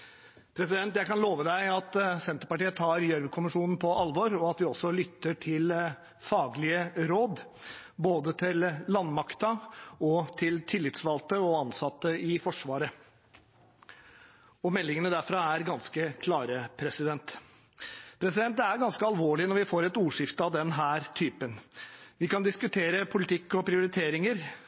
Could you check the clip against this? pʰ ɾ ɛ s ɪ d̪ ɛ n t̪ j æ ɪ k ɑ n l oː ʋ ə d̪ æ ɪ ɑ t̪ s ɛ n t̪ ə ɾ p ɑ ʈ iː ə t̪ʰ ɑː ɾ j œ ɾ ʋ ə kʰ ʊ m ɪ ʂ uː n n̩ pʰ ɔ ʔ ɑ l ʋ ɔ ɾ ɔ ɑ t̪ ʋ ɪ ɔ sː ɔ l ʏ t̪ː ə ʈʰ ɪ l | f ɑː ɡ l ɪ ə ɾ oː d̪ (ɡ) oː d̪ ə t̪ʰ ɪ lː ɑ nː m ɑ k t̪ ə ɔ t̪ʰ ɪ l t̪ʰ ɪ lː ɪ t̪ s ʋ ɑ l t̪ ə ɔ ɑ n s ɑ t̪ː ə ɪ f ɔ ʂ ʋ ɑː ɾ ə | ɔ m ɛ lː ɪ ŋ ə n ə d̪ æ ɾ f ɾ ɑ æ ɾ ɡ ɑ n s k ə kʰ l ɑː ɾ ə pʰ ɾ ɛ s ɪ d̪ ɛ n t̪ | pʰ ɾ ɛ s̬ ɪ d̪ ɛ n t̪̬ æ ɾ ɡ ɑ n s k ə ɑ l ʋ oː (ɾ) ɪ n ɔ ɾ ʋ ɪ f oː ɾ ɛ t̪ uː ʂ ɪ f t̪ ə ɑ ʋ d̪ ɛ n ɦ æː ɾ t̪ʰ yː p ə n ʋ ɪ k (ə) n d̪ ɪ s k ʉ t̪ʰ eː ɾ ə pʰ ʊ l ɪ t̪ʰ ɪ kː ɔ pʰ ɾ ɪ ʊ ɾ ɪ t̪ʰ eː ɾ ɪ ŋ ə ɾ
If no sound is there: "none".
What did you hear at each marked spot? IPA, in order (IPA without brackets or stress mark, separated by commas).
b, ɭ, ɑ